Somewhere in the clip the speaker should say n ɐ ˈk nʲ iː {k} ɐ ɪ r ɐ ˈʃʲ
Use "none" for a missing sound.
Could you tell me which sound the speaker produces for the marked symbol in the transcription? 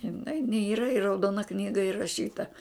ɡ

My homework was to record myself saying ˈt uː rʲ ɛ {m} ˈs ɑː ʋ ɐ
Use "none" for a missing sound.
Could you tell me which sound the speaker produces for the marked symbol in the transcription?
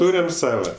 m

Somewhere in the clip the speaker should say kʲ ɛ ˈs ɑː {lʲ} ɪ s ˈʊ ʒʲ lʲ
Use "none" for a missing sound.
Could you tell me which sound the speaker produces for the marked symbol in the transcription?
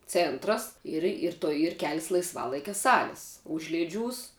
lʲ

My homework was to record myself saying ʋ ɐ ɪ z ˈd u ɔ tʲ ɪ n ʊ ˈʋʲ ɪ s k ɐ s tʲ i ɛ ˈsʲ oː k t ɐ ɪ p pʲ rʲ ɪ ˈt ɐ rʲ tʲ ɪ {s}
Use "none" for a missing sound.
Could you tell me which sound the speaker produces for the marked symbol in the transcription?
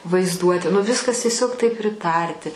none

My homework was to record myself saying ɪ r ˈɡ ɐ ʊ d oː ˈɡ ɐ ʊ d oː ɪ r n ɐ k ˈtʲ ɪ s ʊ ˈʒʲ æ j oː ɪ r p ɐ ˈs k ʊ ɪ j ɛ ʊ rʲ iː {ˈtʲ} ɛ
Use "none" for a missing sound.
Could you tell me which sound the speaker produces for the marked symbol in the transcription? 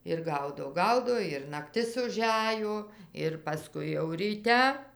tʲ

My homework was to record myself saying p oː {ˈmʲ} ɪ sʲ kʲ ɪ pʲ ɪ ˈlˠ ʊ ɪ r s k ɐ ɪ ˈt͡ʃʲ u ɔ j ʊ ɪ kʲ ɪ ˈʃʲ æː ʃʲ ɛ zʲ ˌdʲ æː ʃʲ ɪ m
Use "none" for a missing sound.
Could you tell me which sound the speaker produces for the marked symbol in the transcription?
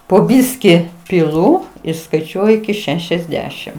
bʲ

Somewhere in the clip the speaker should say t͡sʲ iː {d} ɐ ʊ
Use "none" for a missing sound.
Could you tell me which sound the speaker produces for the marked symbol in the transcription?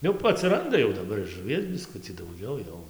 d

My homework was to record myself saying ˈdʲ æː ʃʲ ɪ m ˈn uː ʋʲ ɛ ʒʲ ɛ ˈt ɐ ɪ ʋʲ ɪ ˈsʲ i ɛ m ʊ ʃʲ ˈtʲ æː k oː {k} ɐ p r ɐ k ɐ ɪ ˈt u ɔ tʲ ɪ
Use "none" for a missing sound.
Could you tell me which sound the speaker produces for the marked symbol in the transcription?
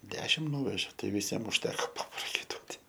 p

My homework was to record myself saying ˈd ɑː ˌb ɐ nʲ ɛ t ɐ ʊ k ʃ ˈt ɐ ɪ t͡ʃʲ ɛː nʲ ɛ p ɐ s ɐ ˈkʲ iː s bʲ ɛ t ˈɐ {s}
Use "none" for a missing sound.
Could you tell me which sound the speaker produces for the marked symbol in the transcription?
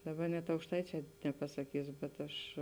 ʃ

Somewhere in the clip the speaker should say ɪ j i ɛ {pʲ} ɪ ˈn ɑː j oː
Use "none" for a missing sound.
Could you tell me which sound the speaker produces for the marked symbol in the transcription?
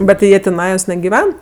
tʲ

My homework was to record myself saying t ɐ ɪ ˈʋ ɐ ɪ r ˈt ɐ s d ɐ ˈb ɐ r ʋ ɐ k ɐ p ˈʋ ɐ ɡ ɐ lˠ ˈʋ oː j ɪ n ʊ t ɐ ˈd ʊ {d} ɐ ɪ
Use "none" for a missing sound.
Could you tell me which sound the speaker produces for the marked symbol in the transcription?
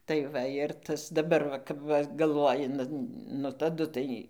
t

